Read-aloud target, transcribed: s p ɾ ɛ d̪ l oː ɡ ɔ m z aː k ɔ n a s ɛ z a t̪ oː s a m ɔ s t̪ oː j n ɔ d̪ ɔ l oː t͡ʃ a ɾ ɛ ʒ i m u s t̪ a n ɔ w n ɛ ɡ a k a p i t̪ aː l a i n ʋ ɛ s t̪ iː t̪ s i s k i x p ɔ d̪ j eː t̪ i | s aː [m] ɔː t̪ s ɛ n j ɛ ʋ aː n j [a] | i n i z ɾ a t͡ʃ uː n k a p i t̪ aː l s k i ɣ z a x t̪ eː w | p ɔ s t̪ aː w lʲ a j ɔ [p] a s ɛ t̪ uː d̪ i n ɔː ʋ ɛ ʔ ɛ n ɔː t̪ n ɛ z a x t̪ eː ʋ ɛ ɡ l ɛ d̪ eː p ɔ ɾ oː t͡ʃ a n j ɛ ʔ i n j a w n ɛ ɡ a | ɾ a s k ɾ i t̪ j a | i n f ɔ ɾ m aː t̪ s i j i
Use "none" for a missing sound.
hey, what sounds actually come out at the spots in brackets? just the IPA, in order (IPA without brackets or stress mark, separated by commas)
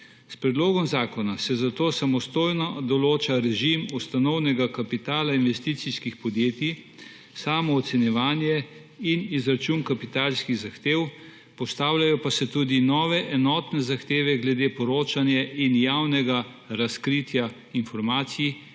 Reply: m, ɛ, p